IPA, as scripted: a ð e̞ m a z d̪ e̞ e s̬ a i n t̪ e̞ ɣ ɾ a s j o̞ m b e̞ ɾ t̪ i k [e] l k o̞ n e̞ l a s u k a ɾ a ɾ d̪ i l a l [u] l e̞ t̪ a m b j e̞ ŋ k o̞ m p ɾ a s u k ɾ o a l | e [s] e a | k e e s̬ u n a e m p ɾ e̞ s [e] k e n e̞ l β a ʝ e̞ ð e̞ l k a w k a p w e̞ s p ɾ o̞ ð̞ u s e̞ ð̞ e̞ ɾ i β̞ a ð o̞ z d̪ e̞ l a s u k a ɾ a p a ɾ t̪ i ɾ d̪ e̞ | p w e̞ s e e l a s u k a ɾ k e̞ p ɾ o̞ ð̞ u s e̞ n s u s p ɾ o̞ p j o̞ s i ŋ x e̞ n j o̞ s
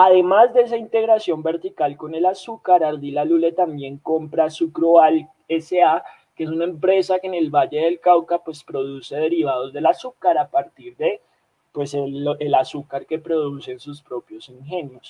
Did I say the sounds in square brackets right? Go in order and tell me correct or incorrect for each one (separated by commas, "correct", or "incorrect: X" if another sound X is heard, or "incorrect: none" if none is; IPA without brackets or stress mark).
incorrect: a, correct, correct, incorrect: a